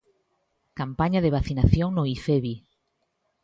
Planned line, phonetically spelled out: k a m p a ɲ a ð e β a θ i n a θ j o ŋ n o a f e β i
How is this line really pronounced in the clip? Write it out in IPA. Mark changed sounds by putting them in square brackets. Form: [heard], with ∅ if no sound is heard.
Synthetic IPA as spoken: k a m p a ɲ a ð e β a θ i n a θ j o ŋ n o [i] f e β i